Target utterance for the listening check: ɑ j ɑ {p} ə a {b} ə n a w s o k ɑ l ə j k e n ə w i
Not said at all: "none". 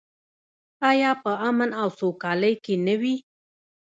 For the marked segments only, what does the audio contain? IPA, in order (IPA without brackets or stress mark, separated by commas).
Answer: p, m